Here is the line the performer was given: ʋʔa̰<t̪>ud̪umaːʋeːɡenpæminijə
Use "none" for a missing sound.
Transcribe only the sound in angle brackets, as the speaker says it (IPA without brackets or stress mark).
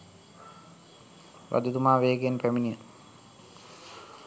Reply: d̪